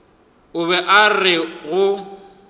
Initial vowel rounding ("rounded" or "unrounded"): rounded